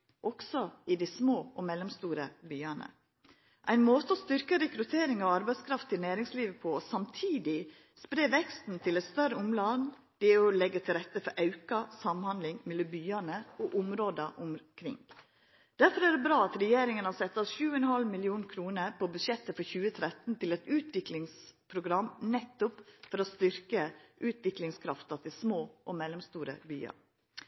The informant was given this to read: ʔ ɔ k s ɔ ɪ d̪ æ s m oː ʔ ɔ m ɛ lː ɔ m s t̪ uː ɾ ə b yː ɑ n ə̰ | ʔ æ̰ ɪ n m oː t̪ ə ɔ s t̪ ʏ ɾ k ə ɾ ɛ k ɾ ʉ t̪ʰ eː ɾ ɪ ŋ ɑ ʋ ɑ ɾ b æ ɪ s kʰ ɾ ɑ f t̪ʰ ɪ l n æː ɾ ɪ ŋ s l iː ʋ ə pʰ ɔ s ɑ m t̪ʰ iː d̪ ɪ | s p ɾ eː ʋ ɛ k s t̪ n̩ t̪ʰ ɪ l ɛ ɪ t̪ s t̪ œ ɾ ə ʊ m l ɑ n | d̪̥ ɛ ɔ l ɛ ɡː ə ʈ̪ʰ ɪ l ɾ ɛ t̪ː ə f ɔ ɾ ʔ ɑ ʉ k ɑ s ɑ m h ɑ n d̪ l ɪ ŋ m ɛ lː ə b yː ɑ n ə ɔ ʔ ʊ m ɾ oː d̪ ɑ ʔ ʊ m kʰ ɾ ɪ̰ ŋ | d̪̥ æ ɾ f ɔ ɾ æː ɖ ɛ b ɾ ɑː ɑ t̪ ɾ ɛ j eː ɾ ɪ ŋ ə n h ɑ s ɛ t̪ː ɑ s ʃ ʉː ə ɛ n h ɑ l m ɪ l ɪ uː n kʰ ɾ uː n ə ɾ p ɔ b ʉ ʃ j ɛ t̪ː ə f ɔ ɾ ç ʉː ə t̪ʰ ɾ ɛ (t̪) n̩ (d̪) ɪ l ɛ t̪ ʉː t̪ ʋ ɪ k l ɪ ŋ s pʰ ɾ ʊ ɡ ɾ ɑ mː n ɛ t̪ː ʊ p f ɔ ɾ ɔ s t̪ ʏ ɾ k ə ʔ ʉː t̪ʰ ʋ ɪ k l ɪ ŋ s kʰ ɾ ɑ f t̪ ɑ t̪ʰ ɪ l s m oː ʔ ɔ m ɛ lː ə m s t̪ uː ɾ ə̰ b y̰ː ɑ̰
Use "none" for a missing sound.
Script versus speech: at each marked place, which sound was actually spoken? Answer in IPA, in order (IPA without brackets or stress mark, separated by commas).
t̪, t̪